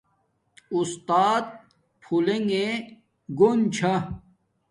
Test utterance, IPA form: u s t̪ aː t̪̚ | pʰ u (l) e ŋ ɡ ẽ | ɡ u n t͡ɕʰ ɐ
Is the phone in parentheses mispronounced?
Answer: no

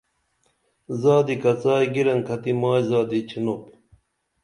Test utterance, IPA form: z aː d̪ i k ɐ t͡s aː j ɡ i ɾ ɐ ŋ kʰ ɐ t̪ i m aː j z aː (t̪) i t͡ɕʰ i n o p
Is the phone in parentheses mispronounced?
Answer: yes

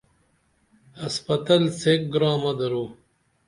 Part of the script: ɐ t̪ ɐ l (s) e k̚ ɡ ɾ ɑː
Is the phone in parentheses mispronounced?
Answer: no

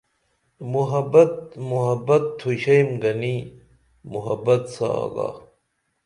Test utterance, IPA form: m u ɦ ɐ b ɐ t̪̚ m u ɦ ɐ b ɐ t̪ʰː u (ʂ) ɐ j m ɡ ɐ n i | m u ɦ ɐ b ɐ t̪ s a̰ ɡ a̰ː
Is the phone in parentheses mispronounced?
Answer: yes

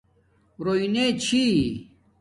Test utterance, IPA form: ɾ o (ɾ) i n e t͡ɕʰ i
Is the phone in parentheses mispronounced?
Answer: yes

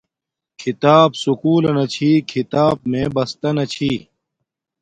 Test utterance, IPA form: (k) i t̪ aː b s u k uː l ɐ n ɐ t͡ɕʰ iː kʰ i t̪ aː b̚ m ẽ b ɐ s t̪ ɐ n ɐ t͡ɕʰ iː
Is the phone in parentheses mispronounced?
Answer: yes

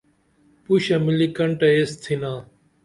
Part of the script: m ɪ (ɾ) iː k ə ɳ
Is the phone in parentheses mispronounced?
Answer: yes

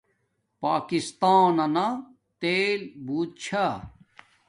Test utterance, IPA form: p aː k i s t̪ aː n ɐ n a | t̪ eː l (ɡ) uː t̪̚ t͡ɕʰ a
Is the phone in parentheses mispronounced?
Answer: yes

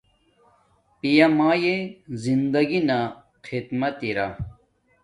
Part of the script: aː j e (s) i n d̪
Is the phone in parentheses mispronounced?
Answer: yes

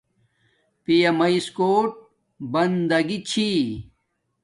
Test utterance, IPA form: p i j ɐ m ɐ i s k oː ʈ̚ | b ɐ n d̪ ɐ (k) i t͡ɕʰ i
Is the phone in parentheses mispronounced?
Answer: yes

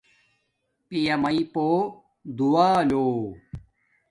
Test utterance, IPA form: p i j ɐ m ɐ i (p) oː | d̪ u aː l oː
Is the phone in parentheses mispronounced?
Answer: no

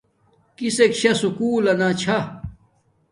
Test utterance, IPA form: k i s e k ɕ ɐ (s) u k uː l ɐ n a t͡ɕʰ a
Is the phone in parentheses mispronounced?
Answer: no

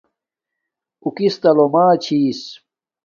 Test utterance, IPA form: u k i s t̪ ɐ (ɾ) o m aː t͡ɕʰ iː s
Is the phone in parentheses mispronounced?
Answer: yes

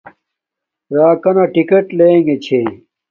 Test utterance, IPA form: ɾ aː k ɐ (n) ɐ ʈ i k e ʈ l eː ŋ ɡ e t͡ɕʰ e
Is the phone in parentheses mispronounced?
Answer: no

